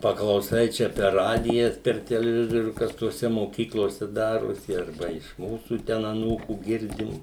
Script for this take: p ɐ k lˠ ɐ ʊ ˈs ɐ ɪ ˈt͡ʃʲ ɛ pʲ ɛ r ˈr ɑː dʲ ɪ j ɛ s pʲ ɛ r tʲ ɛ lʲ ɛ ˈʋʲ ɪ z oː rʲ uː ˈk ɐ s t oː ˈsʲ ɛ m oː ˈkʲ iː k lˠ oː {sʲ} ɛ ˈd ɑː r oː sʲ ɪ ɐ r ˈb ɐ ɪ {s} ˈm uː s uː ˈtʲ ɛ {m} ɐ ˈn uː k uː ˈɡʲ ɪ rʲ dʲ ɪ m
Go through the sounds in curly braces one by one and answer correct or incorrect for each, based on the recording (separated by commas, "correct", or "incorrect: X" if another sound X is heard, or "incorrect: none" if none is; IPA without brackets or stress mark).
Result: correct, incorrect: ʃ, incorrect: n